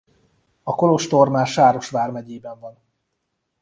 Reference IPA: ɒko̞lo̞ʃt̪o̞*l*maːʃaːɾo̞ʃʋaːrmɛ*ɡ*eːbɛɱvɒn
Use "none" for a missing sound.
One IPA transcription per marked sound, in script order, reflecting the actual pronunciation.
r, ɟ

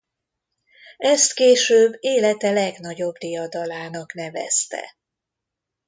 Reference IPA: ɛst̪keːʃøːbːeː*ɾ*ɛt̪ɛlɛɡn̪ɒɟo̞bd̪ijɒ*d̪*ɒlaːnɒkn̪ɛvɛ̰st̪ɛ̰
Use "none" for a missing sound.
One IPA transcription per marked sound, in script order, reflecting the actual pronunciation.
l, d̪

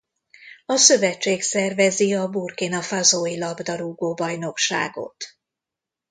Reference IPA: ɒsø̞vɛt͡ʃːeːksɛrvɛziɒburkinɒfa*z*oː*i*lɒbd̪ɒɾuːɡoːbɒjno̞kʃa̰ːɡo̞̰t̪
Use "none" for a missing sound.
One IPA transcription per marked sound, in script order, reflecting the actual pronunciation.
z, i

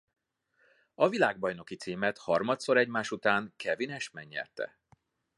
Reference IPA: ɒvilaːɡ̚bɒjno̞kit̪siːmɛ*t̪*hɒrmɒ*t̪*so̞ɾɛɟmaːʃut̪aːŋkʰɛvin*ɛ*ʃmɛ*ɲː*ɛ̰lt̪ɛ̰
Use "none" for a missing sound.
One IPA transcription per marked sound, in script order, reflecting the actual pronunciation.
t̪, t̪, ɛ, ɲː

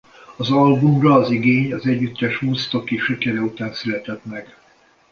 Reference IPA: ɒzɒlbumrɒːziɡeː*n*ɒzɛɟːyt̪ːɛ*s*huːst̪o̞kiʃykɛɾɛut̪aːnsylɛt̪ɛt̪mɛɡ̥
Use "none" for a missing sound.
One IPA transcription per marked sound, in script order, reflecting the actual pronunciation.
ɲ, ʃ

